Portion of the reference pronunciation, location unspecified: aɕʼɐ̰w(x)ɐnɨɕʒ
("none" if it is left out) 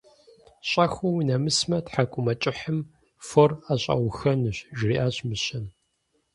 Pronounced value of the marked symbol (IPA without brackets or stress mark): x